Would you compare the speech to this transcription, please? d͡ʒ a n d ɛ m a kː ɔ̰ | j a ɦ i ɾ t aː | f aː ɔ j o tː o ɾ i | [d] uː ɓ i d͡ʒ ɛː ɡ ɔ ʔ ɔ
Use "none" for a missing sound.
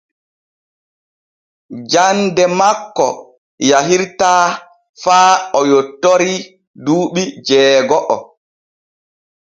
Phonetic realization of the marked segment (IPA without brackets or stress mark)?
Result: d